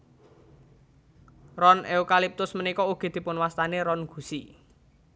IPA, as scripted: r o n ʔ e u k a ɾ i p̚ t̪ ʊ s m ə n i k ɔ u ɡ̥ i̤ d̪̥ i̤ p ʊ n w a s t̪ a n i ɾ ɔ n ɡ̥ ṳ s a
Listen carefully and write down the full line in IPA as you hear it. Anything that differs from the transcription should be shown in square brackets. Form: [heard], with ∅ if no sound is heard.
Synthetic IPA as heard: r [ɔ] n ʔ e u k a [l] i p̚ t̪ ʊ s m ə n i k ɔ u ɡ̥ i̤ d̪̥ i̤ p ʊ n w a s t̪ a n [e] ɾ ɔ n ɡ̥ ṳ s [i]